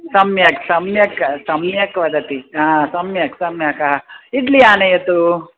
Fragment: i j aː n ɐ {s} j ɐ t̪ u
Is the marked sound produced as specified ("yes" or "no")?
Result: no